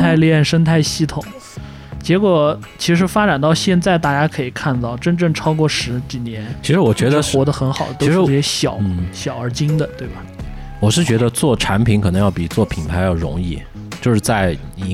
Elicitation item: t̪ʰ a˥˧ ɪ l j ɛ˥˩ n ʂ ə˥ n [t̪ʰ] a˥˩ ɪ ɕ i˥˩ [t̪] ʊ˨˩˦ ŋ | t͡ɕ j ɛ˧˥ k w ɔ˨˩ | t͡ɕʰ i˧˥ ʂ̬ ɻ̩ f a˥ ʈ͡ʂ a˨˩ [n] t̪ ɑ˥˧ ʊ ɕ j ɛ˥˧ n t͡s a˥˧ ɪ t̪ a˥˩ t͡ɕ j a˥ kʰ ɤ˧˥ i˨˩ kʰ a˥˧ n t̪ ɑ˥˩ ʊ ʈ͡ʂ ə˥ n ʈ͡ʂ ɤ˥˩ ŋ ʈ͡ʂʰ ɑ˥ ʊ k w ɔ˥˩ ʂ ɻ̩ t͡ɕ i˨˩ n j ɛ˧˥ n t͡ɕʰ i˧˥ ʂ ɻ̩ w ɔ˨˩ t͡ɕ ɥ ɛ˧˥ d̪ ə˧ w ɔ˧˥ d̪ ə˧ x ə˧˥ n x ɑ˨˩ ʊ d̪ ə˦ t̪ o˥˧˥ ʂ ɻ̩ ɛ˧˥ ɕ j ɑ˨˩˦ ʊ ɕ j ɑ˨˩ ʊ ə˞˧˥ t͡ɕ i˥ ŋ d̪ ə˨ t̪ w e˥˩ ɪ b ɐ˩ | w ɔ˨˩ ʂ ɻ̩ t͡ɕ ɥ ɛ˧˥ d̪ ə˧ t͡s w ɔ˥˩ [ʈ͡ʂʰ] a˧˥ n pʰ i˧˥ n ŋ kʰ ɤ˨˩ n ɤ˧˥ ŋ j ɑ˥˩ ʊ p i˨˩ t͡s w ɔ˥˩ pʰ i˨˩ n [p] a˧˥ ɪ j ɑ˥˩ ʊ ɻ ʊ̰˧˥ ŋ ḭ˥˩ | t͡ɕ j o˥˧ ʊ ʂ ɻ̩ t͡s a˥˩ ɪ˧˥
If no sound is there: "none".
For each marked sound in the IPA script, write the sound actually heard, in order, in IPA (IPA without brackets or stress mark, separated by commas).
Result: t̪ʰ, t̪ʰ, n, ʈ͡ʂʰ, pʰ